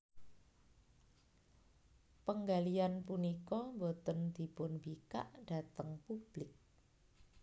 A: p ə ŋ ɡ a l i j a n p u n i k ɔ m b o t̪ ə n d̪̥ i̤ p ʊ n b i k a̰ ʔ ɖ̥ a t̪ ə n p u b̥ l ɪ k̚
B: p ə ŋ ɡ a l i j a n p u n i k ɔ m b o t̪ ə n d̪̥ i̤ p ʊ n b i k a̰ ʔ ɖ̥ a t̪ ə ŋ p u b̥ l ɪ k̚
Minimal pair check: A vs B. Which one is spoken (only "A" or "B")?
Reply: B